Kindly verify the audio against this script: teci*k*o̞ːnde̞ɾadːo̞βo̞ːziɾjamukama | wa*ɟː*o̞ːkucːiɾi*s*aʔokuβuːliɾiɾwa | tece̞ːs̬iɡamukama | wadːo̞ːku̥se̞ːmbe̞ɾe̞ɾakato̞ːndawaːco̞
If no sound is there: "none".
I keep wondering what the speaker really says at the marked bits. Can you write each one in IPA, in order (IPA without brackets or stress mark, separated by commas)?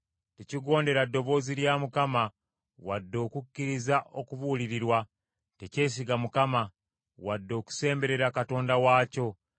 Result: ɡ, dː, z